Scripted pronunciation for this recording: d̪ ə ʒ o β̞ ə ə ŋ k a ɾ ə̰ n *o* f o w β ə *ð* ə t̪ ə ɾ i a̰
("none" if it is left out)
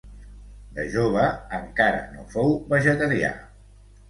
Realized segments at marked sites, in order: o, ʒ

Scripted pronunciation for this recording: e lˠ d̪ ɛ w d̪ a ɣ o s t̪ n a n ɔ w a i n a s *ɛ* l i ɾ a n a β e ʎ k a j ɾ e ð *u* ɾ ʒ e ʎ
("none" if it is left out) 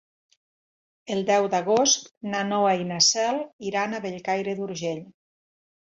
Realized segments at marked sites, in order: ɛ, u

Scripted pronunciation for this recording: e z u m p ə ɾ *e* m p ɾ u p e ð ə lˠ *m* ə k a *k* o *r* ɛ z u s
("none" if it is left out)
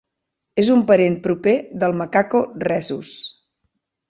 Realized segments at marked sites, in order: e, m, k, r

